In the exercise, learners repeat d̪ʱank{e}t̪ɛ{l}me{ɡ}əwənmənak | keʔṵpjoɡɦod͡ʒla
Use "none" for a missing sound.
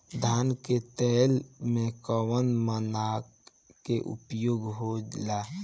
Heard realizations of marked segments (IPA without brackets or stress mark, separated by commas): e, l, k